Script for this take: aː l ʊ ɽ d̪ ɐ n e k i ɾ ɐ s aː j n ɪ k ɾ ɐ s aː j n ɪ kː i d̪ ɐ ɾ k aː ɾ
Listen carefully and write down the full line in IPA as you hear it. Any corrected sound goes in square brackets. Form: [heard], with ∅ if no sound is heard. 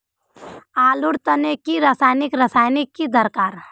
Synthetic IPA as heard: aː l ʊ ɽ [t̪] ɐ n e k i ɾ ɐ s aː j n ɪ k ɾ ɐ s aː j n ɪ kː i d̪ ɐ ɾ k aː ɾ